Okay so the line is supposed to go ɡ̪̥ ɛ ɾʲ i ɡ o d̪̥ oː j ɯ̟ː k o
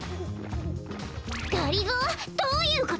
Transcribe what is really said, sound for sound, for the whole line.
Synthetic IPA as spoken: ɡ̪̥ a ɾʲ i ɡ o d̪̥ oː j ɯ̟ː k o